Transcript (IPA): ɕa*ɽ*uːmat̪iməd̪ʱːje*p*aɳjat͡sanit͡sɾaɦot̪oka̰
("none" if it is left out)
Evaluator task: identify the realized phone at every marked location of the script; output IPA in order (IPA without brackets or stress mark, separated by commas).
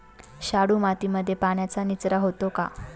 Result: ɽ, p